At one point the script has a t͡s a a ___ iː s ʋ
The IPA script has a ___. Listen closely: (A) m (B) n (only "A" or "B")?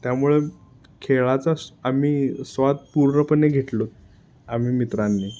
A